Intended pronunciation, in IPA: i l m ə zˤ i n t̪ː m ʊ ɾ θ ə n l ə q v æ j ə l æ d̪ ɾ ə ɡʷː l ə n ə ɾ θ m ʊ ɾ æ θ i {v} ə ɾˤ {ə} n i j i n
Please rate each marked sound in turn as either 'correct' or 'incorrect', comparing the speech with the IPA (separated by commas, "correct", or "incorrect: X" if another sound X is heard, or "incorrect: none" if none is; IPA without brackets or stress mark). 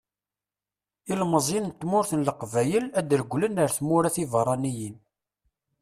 correct, incorrect: ɑ